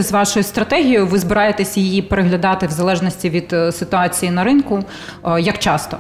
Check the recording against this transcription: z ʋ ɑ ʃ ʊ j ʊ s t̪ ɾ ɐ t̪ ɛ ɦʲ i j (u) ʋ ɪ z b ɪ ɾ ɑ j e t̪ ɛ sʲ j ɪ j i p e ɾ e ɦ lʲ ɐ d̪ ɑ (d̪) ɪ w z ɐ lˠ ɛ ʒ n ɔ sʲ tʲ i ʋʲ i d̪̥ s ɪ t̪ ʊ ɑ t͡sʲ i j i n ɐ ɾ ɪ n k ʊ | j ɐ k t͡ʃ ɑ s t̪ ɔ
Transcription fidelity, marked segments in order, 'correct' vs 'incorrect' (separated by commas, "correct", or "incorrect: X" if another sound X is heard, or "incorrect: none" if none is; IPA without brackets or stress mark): incorrect: ʊ, incorrect: t̪